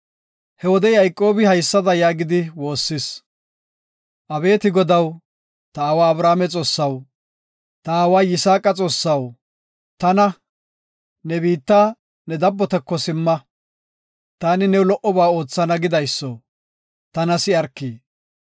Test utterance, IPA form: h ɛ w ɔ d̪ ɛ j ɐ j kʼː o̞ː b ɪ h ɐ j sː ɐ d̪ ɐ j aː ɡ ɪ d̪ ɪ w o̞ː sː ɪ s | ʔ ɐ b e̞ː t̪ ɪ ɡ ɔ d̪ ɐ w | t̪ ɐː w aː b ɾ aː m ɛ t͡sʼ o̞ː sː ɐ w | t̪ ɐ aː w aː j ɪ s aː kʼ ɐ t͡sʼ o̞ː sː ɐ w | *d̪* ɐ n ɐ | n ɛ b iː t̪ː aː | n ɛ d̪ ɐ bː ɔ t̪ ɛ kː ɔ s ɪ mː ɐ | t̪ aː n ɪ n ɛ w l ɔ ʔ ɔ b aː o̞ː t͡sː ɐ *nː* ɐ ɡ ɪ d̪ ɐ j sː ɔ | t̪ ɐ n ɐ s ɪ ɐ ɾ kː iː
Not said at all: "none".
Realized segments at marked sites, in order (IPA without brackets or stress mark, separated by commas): t̪, n